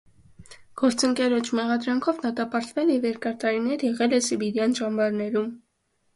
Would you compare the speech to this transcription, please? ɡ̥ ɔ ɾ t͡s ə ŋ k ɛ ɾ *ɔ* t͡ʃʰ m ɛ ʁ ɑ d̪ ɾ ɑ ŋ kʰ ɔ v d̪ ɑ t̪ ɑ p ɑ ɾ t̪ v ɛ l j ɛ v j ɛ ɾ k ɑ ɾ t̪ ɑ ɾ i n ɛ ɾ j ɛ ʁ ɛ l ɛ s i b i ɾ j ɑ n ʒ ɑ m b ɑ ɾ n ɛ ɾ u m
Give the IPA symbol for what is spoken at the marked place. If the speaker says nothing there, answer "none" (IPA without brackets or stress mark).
ɔ